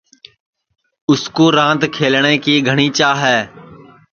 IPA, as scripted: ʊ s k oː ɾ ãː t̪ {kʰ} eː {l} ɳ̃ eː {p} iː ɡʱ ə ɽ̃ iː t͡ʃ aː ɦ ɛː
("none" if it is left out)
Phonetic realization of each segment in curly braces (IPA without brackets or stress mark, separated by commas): kʰ, l, k